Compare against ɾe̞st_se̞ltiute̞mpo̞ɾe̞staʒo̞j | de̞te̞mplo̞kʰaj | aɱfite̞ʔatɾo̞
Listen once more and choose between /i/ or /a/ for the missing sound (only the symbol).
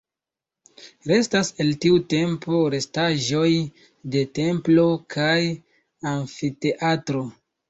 a